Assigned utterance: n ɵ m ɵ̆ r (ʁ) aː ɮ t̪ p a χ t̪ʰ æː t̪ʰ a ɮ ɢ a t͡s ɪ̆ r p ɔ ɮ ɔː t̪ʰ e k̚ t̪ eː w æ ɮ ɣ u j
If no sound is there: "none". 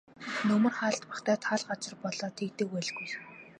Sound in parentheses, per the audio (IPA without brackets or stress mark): χ